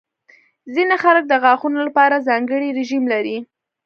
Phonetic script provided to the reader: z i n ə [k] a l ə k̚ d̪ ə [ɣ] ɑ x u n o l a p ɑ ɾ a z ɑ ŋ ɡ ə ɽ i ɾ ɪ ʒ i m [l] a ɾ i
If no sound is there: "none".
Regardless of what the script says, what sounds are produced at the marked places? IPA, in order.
x, ɣ, l

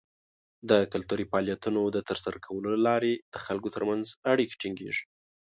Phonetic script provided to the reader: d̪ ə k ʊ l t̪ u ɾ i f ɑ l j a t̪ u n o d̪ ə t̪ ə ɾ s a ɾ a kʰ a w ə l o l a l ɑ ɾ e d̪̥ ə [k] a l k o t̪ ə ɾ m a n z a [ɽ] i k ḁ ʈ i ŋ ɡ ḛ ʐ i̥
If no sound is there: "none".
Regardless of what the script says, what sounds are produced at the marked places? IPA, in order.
x, ɽ

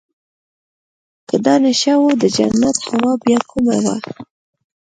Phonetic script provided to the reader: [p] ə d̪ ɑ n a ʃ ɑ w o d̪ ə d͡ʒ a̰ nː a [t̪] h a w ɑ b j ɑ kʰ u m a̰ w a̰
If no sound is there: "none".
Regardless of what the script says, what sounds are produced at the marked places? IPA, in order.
k, t̪

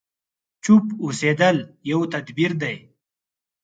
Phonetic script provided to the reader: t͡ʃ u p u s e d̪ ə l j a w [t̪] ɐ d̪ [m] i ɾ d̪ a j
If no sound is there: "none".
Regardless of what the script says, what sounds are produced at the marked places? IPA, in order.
t̪, b

